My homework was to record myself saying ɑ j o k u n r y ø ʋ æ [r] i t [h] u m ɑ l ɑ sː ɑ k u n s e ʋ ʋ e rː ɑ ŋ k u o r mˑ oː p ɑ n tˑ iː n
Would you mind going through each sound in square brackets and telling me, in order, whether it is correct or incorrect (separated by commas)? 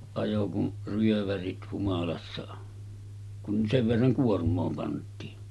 correct, correct